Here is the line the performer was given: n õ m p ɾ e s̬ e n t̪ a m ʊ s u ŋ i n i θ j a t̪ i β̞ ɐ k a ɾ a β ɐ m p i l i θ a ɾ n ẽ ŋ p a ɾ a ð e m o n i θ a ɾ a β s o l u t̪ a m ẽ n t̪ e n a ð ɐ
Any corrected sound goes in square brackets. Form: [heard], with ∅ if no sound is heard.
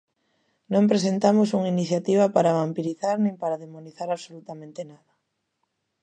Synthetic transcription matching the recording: n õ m p ɾ e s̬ e n t̪ a m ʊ s u ŋ i n i θ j a t̪ i β̞ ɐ [p] a ɾ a β [a] m p i [ɾ] i θ a ɾ n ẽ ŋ p a ɾ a ð e m o n i θ a ɾ a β s o l u t̪ a m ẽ n t̪ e n a ð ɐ